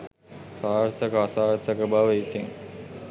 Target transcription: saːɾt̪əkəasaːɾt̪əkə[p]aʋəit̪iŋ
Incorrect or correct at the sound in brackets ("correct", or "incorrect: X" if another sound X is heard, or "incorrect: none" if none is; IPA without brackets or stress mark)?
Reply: incorrect: b